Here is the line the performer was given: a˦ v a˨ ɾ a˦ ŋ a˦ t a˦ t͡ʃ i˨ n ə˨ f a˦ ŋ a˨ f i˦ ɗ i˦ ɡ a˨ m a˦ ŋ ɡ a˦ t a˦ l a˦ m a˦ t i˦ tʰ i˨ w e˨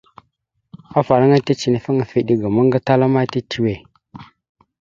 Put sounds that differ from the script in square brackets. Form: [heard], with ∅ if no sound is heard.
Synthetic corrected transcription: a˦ [f] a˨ ɾ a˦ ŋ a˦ t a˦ t͡ʃ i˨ n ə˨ f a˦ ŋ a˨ f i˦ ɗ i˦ ɡ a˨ m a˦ ŋ ɡ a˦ t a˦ l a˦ m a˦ t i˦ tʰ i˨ w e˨